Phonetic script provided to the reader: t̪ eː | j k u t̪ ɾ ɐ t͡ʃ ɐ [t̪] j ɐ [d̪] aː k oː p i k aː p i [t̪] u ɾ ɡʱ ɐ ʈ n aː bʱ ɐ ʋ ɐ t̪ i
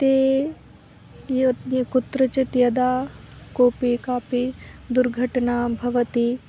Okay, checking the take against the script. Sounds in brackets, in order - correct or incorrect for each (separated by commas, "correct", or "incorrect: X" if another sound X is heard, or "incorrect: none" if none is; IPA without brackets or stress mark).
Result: correct, correct, incorrect: d̪